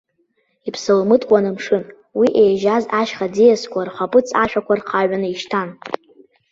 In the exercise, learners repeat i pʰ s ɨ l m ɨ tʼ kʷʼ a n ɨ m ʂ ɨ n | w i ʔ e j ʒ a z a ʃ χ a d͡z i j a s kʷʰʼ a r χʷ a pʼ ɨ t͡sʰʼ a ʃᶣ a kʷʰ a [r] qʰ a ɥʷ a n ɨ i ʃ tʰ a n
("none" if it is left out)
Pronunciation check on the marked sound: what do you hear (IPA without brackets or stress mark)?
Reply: r